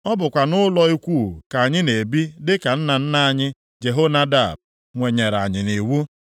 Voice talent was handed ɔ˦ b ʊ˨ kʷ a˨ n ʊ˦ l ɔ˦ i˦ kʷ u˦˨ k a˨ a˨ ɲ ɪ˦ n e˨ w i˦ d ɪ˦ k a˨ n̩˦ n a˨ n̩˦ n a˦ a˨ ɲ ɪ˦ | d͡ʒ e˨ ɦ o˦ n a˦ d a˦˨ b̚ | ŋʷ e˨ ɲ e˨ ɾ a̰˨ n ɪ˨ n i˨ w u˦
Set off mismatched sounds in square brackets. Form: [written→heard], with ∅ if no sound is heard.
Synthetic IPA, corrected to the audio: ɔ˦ b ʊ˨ kʷ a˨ n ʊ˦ l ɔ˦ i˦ kʷ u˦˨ k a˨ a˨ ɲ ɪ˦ n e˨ [w→b] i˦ d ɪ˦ k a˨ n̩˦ n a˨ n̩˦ n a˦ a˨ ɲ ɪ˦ | d͡ʒ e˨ ɦ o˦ n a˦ d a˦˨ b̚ | ŋʷ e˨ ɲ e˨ ɾ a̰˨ [n→ɲ] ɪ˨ n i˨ w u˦